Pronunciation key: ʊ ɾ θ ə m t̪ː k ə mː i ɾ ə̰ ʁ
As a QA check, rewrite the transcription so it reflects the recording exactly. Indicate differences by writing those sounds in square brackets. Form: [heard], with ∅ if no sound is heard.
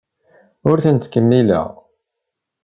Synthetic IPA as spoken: ʊ ɾ θ ə [n] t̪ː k ə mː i [l] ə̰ ʁ